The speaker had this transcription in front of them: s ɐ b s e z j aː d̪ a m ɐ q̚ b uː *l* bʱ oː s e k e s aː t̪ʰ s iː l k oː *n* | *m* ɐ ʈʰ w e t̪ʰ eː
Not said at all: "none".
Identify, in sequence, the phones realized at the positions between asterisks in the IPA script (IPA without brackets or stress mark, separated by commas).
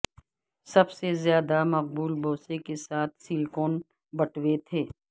l, n, b